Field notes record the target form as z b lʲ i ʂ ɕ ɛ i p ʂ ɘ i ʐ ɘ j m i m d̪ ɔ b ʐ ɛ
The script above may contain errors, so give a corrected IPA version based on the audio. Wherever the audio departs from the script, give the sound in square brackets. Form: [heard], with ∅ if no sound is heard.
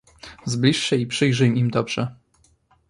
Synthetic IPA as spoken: z b lʲ i ʂ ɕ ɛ i p ʂ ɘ [j] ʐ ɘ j m i m d̪ ɔ b ʐ ɛ